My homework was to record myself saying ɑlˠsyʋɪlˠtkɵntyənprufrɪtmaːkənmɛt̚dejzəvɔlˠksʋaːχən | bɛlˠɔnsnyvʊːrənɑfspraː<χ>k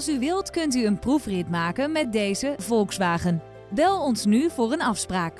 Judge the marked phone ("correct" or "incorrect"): incorrect